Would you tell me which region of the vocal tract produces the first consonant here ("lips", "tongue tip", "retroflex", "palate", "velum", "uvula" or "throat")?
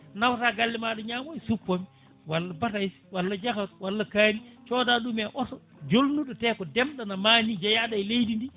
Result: tongue tip